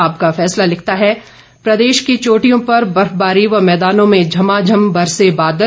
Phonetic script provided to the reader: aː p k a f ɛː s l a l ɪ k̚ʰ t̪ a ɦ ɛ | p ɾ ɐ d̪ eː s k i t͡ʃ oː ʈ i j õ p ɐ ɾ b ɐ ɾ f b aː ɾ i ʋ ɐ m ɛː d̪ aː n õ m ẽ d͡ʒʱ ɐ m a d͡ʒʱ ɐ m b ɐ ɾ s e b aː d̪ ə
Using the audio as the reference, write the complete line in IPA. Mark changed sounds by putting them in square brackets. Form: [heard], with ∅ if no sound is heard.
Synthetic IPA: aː p k a f ɛː s l a l ɪ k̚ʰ t̪ a ɦ ɛ | p ɾ ɐ d̪ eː [ʃ] k i t͡ʃ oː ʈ i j õ p ɐ ɾ b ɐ ɾ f b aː ɾ i ʋ ɐ m ɛː d̪ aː n õ m ẽ d͡ʒʱ ɐ m a d͡ʒʱ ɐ m b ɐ ɾ s e b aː d̪ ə